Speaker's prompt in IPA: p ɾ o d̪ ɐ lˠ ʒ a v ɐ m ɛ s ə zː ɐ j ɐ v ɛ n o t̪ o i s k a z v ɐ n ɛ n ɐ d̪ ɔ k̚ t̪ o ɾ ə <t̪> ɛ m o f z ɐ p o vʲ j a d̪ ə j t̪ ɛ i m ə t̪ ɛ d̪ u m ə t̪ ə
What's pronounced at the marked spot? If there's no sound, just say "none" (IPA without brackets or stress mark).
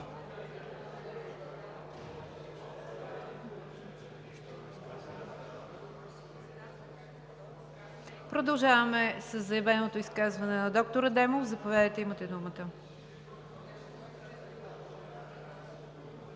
d̪